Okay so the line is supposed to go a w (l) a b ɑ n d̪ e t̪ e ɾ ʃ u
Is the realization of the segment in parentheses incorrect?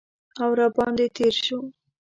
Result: yes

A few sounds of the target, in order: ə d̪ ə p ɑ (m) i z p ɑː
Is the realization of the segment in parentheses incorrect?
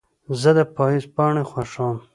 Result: yes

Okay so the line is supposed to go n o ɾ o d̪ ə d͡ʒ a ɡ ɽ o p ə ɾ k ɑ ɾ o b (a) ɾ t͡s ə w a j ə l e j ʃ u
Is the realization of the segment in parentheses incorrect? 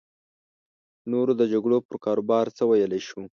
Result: yes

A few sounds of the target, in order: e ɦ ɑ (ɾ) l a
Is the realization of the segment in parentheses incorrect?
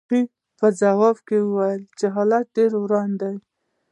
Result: yes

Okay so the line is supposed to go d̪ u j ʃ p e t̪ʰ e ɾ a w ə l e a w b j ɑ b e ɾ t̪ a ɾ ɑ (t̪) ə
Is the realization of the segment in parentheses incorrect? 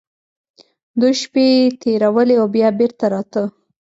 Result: no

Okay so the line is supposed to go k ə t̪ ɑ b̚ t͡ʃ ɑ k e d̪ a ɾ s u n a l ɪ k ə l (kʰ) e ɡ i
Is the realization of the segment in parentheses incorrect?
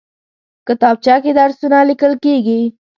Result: yes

